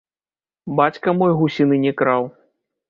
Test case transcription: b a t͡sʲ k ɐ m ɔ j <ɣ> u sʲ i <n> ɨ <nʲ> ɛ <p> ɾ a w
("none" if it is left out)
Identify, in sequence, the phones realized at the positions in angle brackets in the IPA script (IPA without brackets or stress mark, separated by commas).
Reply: ɣ, n, nʲ, k